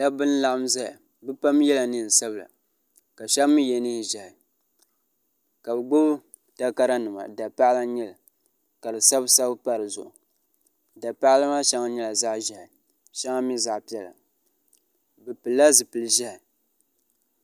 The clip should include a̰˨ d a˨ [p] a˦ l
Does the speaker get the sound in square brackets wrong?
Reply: no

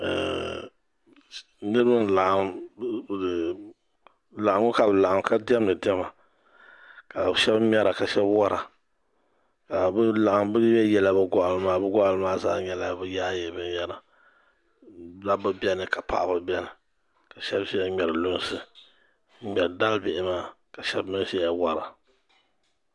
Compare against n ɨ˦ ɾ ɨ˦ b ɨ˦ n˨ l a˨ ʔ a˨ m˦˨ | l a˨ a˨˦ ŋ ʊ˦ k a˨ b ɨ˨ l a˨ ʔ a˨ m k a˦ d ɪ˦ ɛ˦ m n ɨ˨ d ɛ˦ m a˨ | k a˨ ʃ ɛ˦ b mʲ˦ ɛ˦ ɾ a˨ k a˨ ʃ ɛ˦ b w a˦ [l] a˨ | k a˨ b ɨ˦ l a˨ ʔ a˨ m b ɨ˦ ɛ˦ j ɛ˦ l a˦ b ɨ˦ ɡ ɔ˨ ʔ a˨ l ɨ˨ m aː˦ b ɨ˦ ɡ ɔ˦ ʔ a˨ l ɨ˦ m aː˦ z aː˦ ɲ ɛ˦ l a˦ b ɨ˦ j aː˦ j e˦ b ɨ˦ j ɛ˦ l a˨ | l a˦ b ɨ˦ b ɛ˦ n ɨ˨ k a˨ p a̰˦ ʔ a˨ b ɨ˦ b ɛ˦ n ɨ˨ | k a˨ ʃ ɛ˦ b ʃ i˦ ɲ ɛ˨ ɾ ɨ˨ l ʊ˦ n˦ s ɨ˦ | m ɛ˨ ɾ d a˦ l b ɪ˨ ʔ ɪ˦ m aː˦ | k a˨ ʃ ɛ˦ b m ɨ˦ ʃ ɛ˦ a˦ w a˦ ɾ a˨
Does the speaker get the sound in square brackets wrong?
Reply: yes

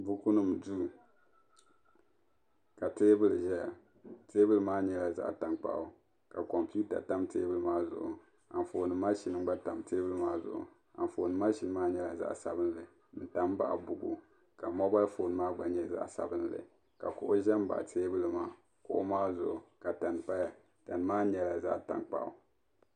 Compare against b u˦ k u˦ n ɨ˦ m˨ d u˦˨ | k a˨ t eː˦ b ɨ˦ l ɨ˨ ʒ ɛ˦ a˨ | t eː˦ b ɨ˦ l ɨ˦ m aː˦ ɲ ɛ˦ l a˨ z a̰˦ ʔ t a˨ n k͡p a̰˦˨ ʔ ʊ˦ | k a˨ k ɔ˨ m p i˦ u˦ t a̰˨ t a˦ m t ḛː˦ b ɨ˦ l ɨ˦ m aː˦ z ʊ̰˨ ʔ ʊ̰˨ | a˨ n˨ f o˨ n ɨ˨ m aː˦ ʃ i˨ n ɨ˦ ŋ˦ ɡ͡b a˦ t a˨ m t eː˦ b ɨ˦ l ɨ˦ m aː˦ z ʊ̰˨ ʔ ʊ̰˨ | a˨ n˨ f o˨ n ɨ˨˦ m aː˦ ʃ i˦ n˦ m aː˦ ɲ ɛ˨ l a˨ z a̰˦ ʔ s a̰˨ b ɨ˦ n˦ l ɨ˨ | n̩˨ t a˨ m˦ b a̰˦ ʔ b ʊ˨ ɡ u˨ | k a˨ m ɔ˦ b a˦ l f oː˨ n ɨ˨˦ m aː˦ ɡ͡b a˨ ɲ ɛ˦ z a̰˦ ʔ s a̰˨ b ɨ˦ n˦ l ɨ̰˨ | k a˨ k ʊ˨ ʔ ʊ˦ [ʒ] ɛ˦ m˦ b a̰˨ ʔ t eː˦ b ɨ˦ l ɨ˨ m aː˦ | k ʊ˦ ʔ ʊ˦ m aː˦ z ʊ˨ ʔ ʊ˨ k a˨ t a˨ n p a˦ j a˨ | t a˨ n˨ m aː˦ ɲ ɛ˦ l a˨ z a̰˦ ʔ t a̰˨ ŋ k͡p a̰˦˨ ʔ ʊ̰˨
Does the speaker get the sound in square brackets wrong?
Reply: no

